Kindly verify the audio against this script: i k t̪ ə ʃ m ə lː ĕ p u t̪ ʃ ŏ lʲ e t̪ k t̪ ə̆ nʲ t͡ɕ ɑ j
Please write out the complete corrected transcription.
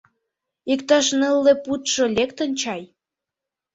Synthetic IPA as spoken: i k t̪ ɑ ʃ n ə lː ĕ p u t̪ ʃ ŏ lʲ e k t̪ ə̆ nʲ t͡ɕ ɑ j